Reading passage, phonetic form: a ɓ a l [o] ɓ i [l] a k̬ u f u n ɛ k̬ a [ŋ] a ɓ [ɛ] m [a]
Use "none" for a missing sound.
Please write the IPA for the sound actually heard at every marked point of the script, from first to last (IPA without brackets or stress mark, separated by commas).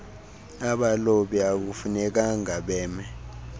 o, none, ŋ, ɛː, ɛ